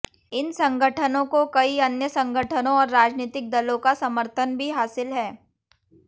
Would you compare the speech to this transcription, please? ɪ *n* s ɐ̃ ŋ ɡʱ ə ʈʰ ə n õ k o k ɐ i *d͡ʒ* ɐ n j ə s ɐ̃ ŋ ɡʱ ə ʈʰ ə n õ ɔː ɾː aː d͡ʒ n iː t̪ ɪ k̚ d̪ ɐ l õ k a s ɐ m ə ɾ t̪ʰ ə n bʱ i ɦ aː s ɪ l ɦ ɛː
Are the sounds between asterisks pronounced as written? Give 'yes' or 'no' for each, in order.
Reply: yes, no

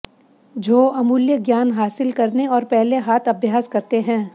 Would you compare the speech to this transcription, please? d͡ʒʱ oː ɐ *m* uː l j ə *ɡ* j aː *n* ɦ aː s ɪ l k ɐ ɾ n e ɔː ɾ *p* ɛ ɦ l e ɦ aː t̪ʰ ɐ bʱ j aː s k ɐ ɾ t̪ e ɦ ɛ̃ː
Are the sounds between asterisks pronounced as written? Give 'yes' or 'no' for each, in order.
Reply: yes, yes, yes, yes

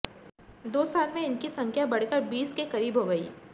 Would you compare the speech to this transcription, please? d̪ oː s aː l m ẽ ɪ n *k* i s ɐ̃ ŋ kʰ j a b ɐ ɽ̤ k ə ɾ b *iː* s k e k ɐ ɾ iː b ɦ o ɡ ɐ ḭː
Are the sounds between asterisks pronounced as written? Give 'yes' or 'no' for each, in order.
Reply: yes, yes

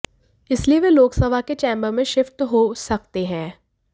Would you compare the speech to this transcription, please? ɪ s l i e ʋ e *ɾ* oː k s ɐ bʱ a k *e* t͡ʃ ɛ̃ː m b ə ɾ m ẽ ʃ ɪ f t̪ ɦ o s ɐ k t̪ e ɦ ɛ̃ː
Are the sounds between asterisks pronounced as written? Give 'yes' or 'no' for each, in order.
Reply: no, yes

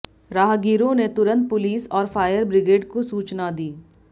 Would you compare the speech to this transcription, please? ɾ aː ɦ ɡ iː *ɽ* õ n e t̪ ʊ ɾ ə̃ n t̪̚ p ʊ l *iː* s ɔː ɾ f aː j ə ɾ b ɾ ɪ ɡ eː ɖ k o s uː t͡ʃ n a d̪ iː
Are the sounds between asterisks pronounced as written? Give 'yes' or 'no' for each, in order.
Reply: no, yes

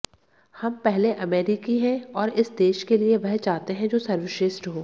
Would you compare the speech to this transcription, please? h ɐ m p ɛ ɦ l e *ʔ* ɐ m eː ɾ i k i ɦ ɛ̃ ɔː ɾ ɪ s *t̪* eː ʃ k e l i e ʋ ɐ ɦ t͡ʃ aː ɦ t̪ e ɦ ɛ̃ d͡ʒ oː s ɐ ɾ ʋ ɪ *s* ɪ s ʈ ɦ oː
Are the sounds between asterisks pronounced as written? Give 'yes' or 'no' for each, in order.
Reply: yes, no, no

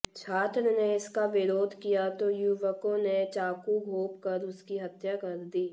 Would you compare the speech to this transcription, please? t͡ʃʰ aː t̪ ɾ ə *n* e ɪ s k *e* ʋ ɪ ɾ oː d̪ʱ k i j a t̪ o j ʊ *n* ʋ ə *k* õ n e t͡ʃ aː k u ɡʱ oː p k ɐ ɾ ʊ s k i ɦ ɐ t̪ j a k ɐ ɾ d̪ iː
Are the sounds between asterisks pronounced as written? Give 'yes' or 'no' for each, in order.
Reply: yes, no, no, yes

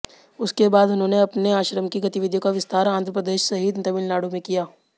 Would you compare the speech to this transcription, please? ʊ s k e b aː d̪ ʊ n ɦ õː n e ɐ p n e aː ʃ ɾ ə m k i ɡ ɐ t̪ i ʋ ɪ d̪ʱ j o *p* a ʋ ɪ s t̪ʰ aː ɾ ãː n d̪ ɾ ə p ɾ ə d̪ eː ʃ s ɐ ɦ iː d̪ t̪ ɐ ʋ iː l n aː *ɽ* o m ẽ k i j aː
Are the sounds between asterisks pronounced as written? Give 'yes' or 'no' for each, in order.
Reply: no, yes

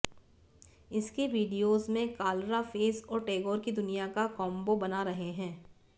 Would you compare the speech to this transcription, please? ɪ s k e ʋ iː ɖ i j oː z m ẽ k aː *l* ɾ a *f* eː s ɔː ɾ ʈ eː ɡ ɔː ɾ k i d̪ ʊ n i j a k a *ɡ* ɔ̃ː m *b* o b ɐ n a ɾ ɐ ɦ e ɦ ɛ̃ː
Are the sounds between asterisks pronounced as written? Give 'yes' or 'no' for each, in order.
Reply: yes, yes, no, yes

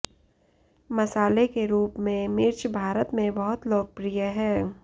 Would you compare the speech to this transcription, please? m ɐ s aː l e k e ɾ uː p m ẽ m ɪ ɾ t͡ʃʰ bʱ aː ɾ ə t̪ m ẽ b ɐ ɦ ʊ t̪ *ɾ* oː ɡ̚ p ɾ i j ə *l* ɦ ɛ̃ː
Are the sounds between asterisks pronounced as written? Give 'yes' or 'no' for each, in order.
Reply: no, no

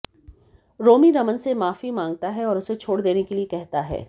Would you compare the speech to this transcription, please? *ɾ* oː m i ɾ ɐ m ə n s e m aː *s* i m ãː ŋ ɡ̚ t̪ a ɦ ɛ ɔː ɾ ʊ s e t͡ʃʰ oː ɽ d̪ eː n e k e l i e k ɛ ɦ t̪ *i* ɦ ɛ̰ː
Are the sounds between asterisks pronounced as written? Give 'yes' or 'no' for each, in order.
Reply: yes, no, no

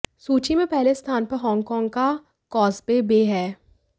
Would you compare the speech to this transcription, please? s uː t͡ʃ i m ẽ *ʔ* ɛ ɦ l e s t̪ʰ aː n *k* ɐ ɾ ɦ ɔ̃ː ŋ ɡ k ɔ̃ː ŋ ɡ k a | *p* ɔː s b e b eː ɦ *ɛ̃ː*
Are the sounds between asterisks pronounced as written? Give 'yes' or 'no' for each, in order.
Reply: no, no, no, no

